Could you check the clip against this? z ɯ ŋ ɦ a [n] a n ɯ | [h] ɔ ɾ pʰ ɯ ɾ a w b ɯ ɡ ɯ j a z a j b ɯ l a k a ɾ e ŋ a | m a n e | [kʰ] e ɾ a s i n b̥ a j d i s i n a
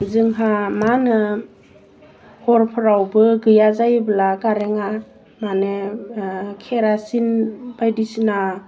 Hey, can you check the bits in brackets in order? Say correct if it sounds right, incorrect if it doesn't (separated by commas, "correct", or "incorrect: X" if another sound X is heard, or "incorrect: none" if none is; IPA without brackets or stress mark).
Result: incorrect: m, correct, correct